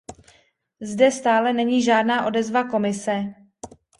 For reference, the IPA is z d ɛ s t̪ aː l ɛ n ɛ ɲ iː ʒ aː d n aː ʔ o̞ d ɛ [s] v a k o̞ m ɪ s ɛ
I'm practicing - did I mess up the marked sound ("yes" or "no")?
yes